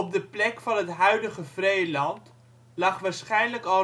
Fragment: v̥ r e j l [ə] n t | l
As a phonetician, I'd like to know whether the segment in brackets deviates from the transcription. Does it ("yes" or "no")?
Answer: yes